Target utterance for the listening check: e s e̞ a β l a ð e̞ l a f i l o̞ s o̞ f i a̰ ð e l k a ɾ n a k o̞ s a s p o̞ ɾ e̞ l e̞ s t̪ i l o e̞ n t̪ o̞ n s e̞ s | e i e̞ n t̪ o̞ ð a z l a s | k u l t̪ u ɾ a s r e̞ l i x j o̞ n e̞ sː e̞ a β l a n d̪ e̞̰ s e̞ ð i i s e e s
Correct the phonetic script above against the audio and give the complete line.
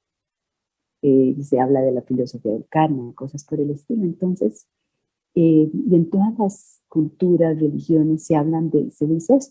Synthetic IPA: e s e̞ a β l a ð e̞ l a f i l o̞ s o̞ f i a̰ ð e l k a ɾ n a k o̞ s a s p o̞ ɾ e̞ l e̞ s t̪ i l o e̞ n t̪ o̞ n s e̞ s | e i e̞ n t̪ o̞ ð a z l a s | k u l t̪ u ɾ a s r e̞ l i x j o̞ n e̞ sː e̞ a β l a n d̪ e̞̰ s e̞ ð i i s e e s